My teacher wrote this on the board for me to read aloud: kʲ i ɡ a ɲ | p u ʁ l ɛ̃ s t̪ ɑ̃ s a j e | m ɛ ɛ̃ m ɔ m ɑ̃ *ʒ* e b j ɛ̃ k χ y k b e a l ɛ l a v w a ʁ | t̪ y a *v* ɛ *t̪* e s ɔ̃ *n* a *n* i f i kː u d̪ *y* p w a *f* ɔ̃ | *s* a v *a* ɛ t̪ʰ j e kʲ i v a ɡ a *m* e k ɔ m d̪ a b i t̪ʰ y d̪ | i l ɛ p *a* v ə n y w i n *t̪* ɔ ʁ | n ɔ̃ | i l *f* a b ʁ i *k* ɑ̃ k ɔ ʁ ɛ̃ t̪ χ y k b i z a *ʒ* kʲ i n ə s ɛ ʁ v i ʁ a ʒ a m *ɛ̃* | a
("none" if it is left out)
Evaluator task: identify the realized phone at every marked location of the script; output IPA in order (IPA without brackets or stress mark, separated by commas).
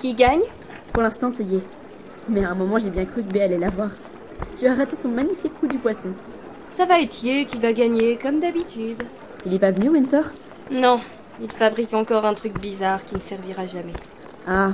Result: ʒ, ʁ, t̪, m, ɲ, y, s, s, a, ɲ, a, t̪, f, k, ʁ, ɛ